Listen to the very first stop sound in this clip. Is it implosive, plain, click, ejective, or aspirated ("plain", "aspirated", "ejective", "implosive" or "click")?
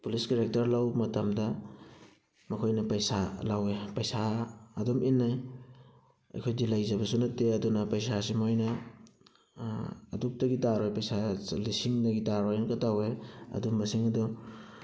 plain